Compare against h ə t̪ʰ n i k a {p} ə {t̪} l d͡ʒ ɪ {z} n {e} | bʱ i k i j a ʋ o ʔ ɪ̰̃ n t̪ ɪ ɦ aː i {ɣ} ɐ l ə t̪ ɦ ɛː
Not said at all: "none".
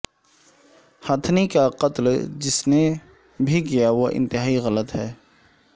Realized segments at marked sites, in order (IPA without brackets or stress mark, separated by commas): q, t̪, s, e, ɣ